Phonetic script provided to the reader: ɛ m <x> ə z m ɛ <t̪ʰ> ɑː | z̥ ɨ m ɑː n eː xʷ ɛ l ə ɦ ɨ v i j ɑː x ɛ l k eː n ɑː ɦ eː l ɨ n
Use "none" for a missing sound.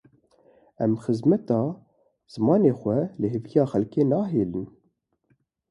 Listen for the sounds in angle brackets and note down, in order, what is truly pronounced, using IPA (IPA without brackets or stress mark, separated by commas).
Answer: x, t̪